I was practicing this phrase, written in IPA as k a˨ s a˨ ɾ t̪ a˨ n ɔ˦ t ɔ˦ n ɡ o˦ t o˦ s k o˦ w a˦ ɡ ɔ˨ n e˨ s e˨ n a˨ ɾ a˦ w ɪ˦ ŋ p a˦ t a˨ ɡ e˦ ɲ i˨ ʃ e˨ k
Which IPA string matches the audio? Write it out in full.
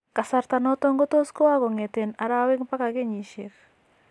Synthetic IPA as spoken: k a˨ s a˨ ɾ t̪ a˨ n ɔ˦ t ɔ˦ ŋ ɡ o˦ t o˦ s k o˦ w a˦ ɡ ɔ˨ ŋ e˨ t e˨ n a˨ ɾ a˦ w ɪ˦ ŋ p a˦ k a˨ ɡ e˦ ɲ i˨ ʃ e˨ k